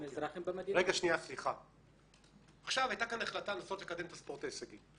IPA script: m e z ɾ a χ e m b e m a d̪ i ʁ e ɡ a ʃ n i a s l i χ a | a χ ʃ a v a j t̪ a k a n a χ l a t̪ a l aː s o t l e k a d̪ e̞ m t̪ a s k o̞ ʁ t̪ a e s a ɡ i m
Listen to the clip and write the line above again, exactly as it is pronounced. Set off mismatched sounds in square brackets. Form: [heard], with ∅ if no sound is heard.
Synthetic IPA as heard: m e z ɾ a χ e m b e m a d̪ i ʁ e ɡ a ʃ n i a s l i χ a | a χ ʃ a v a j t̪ a k a n a χ l a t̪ a l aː s o t l e k a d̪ e̞ m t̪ a s [p] o̞ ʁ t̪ a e s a ɡ i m